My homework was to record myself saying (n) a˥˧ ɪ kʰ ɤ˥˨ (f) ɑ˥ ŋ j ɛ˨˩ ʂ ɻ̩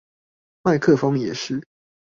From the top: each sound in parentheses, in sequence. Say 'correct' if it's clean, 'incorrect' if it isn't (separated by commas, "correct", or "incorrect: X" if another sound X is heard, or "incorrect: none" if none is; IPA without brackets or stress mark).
incorrect: m, correct